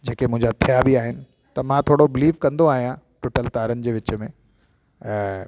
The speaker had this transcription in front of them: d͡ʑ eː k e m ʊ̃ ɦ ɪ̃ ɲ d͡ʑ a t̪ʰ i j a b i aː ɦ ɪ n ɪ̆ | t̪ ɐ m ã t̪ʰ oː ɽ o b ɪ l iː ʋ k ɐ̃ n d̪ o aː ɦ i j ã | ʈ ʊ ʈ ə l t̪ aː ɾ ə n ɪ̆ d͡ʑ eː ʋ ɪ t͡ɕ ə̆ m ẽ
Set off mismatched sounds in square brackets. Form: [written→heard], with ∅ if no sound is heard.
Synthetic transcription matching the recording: d͡ʑ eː k e m ʊ̃ ɦ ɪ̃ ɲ d͡ʑ a t̪ʰ i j a b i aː ɦ ɪ n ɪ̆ | t̪ ɐ m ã t̪ʰ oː ɽ o b ɪ l iː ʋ k ɐ̃ n d̪ o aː ɦ i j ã | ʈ ʊ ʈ ə l t̪ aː ɾ ə n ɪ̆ d͡ʑ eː ʋ ɪ t͡ɕ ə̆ m ẽ